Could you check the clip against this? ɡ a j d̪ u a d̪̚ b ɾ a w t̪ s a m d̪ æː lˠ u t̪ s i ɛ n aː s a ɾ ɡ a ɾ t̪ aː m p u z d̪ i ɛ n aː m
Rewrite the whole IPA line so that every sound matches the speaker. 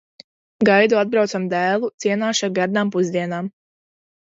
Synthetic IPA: ɡ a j d̪ u a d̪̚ b ɾ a w t̪ s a m d̪ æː lˠ u t̪ s i ɛ n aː ʃ a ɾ ɡ a ɾ d̪ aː m p u z d̪ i ɛ n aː m

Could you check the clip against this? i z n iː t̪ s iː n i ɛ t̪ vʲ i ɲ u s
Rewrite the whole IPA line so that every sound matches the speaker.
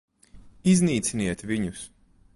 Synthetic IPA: i z n iː t̪ s i n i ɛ t̪ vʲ i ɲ u s

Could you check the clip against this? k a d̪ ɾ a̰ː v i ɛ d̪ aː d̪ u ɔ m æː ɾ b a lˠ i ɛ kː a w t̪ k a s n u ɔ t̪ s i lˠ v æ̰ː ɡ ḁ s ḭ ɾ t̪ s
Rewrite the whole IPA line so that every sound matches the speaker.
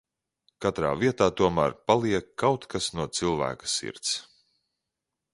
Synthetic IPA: k a t̪ ɾ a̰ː v i ɛ t̪ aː t̪ u ɔ m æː ɾ p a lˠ i ɛ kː a w t̪ k a s n u ɔ t̪ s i lˠ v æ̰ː k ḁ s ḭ ɾ t̪ s

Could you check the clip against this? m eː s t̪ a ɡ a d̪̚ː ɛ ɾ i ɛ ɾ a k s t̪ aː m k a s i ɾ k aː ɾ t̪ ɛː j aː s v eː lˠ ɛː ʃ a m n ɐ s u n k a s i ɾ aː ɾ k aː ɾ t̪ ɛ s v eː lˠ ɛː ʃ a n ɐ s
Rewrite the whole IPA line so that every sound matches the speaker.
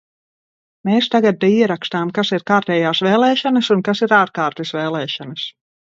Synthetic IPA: m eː s t̪ a ɡ a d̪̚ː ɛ i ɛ ɾ a k s t̪ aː m k a s i ɾ k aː ɾ t̪ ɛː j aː s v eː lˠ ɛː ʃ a n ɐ s u n k a s i ɾ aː ɾ k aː ɾ t̪ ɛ s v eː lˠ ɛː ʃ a n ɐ s

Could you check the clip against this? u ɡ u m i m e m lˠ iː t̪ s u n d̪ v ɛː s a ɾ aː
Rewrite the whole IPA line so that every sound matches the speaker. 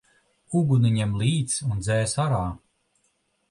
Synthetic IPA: u ɡ u n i ɲ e m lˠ iː t̪ s u n d̪ z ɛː s a ɾ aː

